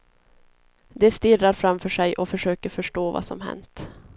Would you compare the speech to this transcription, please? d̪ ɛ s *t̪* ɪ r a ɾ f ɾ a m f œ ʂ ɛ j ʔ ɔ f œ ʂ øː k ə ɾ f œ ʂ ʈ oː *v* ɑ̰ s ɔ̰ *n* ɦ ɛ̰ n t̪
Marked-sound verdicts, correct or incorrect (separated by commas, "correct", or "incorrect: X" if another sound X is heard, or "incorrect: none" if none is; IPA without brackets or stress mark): correct, correct, incorrect: m